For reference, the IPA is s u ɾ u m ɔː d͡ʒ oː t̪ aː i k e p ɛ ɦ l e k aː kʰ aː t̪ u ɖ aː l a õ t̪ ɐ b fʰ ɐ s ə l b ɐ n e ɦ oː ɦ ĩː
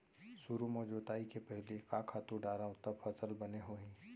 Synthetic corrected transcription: s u ɾ u m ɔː d͡ʒ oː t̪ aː i k e p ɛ ɦ l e k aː kʰ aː t̪ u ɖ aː ɾ a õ t̪ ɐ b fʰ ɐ s ə l b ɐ n e ɦ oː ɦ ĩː

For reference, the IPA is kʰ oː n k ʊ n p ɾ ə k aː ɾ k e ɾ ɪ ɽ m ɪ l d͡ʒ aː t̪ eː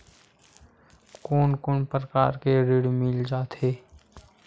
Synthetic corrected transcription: k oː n k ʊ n p ɾ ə k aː ɾ k e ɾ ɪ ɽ m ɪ l d͡ʒ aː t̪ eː

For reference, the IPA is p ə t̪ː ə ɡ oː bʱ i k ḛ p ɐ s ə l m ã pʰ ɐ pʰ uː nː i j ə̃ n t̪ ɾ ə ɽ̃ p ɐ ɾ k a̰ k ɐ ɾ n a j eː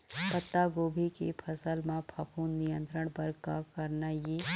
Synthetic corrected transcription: p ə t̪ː a ɡ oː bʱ i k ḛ pʰ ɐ s ə l m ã pʰ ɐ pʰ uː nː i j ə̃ n t̪ ɾ ə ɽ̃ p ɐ ɾ k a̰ k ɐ ɾ n a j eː

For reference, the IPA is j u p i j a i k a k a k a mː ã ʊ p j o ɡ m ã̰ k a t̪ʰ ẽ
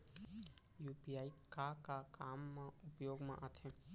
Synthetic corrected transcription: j u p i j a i k a k a k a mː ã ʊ p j o ɡ m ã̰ ʔ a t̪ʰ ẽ

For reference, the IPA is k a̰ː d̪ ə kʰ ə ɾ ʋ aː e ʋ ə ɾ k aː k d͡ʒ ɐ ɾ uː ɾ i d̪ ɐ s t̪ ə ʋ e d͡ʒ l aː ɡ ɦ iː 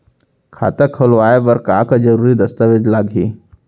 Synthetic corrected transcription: kʰ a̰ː t̪ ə kʰ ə l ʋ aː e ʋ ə ɾ k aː k d͡ʒ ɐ ɾ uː ɾ i d̪ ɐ s t̪ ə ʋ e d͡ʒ l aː ɡ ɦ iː

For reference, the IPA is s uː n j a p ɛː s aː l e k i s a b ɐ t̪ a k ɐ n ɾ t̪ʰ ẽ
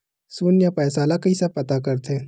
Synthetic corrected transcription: s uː n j a p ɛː s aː l a k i s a p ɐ t̪ a k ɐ ɾ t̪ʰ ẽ

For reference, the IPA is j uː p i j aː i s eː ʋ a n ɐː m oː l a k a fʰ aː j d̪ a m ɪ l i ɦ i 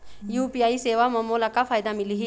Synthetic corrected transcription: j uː p i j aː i s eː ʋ a m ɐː m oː l a k a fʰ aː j d̪ a m ɪ l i ɦ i

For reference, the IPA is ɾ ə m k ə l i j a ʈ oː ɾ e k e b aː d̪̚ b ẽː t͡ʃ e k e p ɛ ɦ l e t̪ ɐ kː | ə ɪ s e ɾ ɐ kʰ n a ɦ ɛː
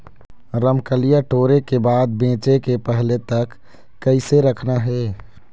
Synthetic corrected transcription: ɾ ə m k ə l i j a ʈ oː ɾ e k e b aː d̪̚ b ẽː t͡ʃ e k e p ɛ ɦ l e t̪ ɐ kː | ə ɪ s e ɾ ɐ kʰ n a ɦ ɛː

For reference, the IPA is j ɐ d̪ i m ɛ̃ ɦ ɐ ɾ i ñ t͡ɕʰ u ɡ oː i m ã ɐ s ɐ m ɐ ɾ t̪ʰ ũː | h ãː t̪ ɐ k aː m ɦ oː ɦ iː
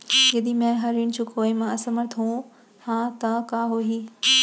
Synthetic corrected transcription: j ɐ d̪ i m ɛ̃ ɦ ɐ ɾ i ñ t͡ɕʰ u k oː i m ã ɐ s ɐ m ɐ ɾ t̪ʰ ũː | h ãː t̪ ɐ k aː ɦ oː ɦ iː

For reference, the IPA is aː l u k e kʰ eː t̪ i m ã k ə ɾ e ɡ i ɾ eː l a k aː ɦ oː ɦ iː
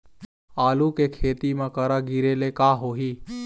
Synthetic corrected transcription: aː l u k e kʰ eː t̪ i m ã k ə ɾ a ɡ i ɾ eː l e k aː ɦ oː ɦ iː

